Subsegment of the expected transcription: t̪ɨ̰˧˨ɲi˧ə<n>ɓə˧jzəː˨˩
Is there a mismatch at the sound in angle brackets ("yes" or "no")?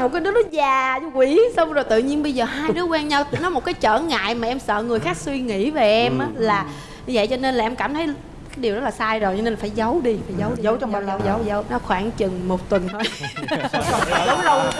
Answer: no